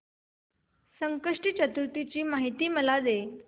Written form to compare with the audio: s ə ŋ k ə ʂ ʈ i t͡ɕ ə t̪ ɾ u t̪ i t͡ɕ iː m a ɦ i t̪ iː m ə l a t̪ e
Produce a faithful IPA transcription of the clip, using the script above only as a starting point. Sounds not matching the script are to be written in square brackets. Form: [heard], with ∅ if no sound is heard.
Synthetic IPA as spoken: s ə ŋ k ə ʂ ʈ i t͡ɕ ə t̪ ɾ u t̪ i t͡ɕ iː m a ɦ i t̪ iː m ə l a [d̪] e